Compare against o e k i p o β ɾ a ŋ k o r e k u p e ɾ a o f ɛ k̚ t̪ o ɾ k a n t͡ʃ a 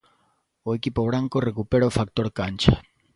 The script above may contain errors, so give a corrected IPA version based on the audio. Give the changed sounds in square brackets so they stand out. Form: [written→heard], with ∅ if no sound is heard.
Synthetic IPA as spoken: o e k i p o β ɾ a ŋ k o r e k u p e ɾ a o f [ɛ→a] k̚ t̪ o ɾ k a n t͡ʃ a